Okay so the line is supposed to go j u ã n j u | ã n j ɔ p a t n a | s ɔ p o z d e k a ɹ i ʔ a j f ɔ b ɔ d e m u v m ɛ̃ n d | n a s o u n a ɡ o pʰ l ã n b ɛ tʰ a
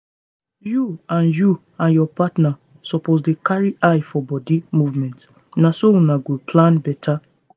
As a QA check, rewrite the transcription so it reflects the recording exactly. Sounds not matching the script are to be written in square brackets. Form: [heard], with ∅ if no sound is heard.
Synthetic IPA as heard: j u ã n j u | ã n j ɔ p a t n a | s ɔ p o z d e k a ɹ i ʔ a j f ɔ b ɔ d [i] m u v m ɛ̃ n [t] | n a s o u n a ɡ o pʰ l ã n b ɛ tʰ a